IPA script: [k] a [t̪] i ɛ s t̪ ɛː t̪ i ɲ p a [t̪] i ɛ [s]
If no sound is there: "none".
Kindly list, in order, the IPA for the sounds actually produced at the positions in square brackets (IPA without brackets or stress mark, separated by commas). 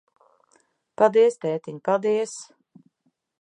p, d̪, d̪, s